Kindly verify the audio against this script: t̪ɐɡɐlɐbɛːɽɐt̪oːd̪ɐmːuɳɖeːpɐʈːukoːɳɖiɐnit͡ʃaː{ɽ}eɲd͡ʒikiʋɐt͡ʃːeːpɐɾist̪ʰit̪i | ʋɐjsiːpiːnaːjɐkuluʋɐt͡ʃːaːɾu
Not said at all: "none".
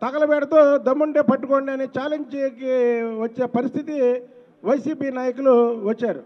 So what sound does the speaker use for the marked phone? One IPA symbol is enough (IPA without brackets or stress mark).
l